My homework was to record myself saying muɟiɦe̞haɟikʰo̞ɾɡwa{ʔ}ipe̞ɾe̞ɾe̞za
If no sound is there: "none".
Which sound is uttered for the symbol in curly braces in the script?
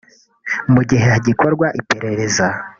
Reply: ʔ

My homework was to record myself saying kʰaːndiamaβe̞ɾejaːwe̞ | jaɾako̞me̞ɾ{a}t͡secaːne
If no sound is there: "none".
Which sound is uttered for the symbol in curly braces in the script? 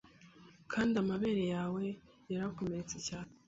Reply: e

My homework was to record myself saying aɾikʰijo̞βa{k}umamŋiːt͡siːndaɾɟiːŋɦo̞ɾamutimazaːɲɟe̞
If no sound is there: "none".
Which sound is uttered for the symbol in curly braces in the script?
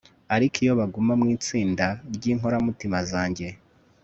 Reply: ɡ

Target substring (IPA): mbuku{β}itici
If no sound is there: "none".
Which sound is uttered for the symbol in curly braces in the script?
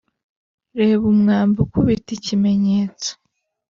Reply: β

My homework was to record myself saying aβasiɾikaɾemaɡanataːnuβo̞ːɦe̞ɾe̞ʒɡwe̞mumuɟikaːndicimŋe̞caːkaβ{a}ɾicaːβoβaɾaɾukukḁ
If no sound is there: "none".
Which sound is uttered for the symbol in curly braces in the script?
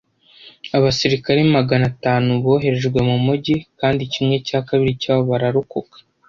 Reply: i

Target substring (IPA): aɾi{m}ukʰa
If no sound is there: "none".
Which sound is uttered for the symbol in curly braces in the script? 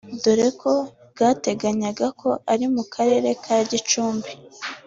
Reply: m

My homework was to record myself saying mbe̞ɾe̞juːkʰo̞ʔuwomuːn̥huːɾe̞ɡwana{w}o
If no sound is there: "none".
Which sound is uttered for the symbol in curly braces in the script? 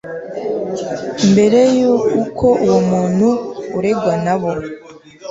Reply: β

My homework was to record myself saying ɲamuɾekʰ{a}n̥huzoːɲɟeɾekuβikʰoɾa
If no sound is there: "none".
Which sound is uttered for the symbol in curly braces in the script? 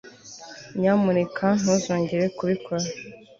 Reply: a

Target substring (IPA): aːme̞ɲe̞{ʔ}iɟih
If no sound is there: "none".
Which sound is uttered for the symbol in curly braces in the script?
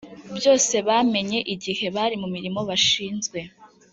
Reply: ʔ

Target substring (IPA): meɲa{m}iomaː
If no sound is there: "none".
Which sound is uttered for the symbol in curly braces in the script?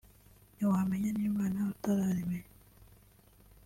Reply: n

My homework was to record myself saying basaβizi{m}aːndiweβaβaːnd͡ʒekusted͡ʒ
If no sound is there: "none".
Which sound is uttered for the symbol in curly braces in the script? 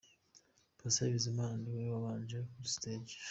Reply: m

